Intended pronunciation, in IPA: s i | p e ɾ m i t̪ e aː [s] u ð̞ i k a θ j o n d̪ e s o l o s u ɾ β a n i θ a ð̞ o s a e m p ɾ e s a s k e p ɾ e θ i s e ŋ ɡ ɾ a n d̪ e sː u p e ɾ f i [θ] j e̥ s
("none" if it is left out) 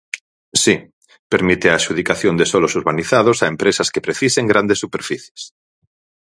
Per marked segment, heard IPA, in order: ʃ, θ

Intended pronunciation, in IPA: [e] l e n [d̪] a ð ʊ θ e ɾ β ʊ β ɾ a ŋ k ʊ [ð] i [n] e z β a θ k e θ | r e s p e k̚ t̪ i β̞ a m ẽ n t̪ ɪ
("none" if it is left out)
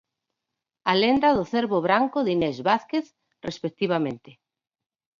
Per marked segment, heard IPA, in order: a, d̪, ð, n

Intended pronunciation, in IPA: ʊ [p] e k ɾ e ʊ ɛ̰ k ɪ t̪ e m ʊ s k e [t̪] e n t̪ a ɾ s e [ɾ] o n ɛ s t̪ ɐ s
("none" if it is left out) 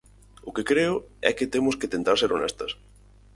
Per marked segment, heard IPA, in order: k, t̪, ɾ

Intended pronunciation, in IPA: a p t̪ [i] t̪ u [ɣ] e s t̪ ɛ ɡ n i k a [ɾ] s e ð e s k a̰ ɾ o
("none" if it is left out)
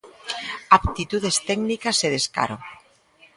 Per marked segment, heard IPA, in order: i, ð, none

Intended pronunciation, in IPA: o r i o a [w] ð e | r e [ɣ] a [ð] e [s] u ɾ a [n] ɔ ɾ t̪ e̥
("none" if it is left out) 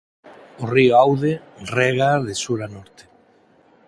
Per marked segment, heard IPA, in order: w, ɣ, ð, s, n

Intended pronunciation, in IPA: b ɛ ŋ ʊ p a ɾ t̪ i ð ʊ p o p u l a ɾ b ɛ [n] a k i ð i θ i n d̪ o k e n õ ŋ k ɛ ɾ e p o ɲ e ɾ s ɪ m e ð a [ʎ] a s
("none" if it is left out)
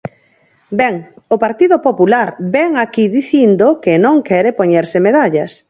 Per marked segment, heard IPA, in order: ŋ, ʎ

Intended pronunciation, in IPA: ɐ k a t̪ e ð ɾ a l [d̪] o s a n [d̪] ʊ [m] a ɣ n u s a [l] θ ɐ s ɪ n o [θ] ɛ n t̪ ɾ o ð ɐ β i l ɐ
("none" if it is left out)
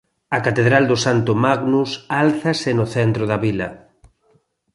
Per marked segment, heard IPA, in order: d̪, t̪, m, l, θ

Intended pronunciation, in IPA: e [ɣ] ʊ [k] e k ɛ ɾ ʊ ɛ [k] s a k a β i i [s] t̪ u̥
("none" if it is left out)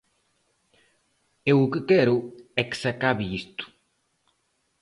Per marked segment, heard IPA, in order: w, k, k, s

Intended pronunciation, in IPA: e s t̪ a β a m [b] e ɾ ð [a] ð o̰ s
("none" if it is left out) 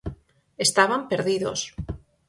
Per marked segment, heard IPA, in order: p, i

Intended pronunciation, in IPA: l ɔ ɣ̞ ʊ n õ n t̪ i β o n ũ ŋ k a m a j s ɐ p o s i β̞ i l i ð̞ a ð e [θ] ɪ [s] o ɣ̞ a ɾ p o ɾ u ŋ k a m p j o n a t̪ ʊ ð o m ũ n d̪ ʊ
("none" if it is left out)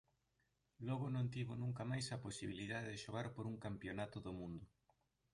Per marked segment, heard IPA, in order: ð, ʃ

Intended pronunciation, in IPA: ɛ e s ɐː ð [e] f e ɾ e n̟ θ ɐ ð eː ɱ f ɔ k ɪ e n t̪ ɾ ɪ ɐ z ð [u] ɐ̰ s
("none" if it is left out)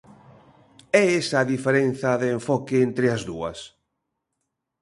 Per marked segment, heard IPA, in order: i, u

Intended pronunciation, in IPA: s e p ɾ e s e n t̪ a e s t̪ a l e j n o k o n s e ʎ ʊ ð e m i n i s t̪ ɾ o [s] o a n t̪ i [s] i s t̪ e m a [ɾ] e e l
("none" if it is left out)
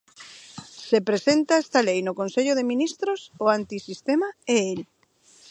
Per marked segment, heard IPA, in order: s, s, none

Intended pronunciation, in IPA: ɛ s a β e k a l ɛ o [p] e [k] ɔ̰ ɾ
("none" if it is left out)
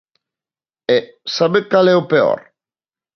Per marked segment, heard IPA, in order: p, none

